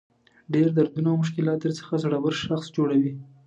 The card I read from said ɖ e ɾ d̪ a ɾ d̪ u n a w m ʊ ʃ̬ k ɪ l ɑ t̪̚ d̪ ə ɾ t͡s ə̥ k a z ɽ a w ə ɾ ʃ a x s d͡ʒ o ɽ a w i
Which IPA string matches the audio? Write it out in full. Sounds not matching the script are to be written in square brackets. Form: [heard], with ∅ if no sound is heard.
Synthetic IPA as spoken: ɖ e ɾ d̪ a ɾ d̪ u n a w m ʊ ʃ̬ k ɪ l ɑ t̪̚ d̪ ə ɾ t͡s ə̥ [x] a z ɽ a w ə ɾ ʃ a x s d͡ʒ o ɽ a w i